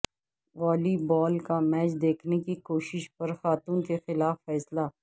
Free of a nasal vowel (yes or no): yes